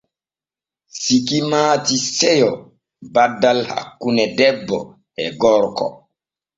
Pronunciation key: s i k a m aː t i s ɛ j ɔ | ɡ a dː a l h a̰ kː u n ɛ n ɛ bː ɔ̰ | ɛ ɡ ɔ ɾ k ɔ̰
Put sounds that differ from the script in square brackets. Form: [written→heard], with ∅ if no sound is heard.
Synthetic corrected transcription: s i k [a→i] m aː t i s ɛ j ɔ | [ɡ→b] a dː a l h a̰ kː u n ɛ [n→d] ɛ bː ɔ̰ | ɛ ɡ ɔ ɾ k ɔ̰